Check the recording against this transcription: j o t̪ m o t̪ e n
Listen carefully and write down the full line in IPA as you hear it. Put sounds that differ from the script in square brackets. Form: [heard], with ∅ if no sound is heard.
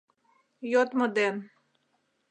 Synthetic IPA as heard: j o t̪ m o [d̪] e n